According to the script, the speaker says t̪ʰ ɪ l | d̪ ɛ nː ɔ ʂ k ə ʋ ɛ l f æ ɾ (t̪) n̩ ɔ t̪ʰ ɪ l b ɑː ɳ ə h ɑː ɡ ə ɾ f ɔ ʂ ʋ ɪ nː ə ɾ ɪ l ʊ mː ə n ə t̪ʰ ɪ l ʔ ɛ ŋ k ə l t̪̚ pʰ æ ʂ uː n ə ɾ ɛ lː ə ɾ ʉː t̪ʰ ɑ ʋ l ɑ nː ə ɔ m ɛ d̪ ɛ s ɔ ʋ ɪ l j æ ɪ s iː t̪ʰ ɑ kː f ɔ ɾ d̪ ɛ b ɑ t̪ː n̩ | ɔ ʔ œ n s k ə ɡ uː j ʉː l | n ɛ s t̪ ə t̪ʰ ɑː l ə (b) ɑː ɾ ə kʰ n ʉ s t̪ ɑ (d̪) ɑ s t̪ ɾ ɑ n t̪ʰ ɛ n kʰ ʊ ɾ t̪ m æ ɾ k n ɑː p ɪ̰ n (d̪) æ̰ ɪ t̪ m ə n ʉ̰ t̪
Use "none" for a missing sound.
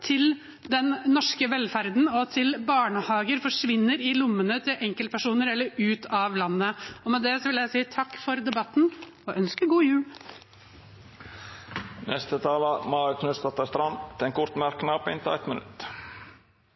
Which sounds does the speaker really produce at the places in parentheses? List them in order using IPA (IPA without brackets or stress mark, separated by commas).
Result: d̪, m, t̪, t̪